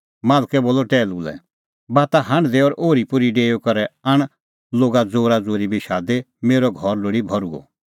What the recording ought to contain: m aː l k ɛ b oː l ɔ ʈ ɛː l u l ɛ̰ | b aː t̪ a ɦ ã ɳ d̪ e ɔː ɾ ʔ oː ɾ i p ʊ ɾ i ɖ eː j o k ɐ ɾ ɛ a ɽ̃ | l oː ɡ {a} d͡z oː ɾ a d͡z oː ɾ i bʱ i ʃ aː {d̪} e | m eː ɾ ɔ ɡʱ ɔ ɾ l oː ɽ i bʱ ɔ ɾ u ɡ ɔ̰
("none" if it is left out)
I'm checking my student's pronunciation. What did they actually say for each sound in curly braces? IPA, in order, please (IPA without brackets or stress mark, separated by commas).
a, d̪